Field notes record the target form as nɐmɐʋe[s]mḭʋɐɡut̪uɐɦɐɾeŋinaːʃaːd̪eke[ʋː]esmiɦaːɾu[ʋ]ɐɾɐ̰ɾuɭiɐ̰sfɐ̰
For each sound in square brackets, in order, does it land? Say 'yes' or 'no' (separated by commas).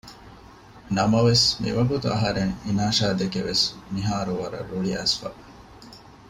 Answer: yes, no, yes